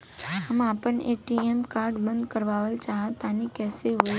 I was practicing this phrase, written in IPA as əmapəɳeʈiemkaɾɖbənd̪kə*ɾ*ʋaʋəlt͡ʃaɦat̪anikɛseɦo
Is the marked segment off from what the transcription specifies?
no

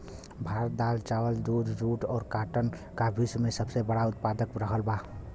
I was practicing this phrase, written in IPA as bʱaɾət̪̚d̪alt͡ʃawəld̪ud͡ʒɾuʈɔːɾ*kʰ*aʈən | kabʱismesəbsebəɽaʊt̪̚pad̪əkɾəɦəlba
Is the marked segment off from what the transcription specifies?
yes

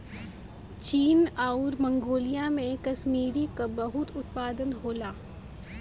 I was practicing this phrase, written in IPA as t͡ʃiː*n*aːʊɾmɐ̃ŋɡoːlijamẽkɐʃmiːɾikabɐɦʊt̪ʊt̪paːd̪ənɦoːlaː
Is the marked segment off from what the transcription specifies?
no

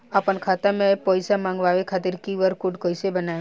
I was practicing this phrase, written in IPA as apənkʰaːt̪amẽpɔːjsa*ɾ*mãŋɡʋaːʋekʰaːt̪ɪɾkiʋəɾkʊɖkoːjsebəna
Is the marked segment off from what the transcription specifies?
yes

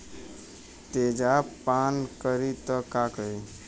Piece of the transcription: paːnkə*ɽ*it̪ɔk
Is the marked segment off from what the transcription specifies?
yes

